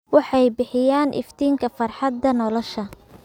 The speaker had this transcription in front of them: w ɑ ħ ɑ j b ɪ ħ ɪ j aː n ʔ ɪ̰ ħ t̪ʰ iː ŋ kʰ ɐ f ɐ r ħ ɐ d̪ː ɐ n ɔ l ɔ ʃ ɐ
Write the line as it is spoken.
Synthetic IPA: w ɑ ħ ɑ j b ɪ ħ ɪ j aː n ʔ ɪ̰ f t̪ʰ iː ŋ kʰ ɐ f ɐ r ħ ɑ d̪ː ɐ n ɔ l ɔ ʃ ɐ